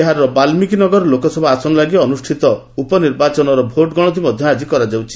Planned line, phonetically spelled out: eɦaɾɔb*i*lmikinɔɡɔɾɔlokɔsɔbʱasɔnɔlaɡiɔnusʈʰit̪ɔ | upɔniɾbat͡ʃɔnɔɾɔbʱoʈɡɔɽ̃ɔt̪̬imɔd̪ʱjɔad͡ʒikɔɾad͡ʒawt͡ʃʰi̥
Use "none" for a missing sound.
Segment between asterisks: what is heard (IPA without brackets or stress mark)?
a